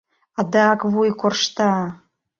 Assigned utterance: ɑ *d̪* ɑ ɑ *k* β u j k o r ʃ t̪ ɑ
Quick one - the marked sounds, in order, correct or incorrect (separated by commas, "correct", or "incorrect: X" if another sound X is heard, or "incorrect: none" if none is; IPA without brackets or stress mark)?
correct, correct